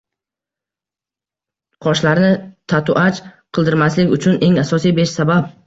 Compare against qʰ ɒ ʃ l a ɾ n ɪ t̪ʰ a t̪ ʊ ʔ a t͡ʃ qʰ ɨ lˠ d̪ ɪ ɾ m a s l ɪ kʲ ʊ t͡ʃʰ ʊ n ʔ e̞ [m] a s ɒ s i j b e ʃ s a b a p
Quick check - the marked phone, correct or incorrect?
incorrect